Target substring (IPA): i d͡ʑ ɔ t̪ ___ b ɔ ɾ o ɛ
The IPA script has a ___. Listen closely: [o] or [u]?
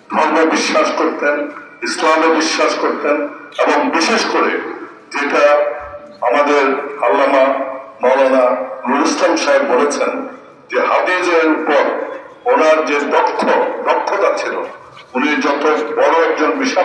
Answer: o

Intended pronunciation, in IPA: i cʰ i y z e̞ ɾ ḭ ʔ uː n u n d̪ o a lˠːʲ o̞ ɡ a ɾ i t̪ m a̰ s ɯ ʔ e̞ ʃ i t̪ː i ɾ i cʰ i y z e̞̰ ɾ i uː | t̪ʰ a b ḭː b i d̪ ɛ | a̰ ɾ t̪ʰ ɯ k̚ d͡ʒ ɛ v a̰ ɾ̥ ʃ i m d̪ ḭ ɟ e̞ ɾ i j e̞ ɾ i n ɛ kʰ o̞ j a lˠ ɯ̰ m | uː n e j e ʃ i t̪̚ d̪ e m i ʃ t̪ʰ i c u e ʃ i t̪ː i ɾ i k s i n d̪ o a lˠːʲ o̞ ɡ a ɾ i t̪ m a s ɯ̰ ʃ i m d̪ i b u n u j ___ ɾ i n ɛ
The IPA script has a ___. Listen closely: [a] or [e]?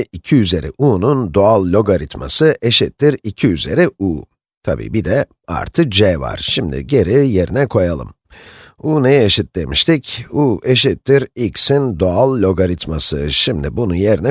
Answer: e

